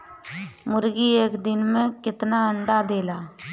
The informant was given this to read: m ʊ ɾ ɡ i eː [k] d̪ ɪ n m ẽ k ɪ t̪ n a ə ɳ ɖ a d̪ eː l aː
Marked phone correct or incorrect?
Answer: correct